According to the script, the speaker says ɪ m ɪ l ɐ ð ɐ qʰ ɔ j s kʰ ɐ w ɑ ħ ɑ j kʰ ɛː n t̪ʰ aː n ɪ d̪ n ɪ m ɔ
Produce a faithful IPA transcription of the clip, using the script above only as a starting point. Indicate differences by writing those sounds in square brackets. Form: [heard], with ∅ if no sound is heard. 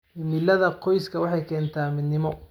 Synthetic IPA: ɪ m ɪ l ɐ ð ɐ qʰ ɔ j s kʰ ɐ w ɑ ħ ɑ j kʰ ɛː n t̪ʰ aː [m] ɪ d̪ n ɪ m ɔ